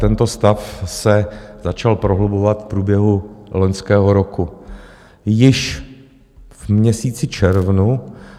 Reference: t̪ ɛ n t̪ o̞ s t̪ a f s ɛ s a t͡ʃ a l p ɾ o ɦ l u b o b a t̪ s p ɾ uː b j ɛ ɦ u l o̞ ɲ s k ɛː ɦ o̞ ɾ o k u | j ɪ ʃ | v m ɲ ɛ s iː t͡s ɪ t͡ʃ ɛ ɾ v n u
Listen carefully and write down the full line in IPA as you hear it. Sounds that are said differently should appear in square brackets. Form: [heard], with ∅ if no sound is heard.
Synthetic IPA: t̪ ɛ n t̪ o̞ s t̪ a f s ɛ [z] a t͡ʃ a l p ɾ o ɦ l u b o [v] a t̪ [f] p ɾ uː b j ɛ ɦ u l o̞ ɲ s k ɛː ɦ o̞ ɾ o k u | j ɪ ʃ | v m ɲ ɛ s iː t͡s ɪ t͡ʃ ɛ ɾ v n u